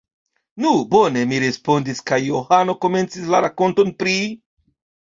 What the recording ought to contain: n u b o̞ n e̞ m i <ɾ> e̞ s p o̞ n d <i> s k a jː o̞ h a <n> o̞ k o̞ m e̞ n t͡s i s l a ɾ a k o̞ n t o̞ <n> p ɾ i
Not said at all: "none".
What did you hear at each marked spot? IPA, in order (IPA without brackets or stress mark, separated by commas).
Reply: ɾ, i, n, n